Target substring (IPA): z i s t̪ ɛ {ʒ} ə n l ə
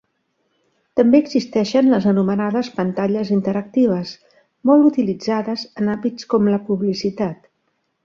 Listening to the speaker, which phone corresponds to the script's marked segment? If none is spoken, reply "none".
ʃ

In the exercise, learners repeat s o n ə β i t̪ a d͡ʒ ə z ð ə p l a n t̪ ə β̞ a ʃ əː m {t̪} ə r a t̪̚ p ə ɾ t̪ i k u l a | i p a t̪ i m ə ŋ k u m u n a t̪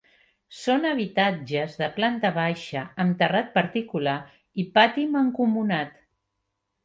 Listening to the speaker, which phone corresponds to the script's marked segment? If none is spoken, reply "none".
t̪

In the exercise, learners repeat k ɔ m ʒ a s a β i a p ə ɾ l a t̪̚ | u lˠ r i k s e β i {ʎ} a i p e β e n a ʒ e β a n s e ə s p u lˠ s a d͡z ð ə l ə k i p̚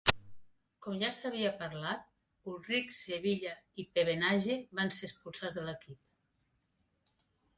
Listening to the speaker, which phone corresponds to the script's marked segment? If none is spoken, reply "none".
ʎ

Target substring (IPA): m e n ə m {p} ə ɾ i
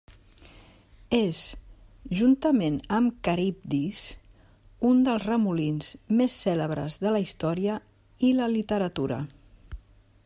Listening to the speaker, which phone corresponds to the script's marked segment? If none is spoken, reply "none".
k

